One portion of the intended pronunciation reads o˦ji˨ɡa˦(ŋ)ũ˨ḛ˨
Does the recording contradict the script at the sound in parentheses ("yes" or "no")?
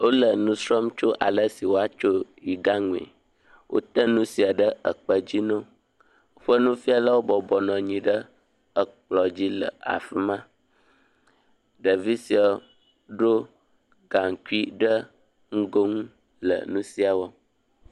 no